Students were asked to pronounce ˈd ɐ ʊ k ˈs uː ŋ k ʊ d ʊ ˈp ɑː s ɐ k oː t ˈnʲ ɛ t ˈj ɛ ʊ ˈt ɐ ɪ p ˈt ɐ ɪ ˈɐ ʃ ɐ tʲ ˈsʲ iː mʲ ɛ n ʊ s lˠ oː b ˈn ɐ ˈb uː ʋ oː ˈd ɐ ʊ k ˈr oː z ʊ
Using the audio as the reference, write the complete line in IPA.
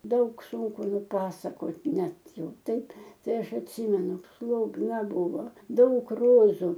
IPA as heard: ˈd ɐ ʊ k ˈs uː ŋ k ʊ n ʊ ˈp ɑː s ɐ k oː t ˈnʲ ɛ t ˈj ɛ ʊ ˈt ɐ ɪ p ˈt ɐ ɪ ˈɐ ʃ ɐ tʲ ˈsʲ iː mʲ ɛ n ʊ s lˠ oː b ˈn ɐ ˈb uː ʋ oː ˈd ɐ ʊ k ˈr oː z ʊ